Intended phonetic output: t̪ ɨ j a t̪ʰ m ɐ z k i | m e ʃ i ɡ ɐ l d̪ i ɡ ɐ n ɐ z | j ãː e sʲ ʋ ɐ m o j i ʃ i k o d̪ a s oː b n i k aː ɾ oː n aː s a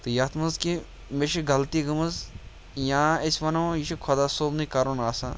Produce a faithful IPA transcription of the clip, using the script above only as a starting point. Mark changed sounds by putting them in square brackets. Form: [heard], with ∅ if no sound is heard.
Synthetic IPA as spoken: t̪ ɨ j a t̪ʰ m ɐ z k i | m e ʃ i ɡ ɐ l [t̪] i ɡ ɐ [m] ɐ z | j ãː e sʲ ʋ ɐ [n] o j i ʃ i [kʰ] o d̪ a s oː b n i k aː ɾ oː n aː s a